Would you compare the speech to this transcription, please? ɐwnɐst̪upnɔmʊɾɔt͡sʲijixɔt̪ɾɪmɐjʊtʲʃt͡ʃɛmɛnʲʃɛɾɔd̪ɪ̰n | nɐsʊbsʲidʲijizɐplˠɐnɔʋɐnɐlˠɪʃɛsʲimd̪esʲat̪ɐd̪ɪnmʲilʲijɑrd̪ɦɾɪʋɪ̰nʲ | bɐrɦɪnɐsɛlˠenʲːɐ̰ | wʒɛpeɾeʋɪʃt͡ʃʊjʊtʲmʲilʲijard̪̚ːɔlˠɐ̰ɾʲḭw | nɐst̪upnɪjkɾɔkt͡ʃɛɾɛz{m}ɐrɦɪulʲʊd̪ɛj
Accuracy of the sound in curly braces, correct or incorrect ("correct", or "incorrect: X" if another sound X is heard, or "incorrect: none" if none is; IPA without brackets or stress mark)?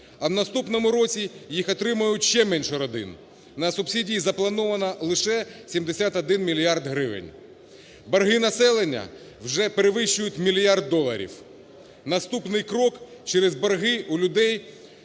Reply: incorrect: b